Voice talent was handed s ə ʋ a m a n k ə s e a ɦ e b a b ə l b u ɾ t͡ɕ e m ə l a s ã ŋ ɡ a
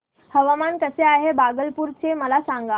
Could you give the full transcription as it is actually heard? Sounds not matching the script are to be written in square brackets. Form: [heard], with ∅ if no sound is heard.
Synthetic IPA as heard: [h] ə ʋ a m a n k ə s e a ɦ e b a [ɡ] ə l [p] u ɾ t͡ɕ e m ə l a s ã ŋ ɡ a